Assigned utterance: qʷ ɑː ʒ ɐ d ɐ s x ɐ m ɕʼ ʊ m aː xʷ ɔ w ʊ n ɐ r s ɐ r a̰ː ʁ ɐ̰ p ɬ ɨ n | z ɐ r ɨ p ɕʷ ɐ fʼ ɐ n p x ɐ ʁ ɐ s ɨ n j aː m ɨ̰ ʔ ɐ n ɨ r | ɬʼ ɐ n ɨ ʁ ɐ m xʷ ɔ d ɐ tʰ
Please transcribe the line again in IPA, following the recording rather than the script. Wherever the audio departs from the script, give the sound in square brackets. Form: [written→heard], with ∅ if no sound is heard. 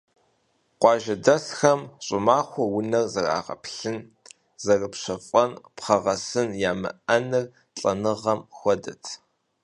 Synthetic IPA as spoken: qʷ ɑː ʒ ɐ d ɐ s x ɐ m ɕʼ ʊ m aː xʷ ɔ w ʊ n ɐ r [s→z] ɐ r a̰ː ʁ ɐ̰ p ɬ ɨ n | z ɐ r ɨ p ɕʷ ɐ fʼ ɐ n p [x→χ] ɐ ʁ ɐ s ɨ n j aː m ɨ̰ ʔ ɐ n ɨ r | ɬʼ ɐ n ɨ ʁ ɐ m xʷ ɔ d ɐ tʰ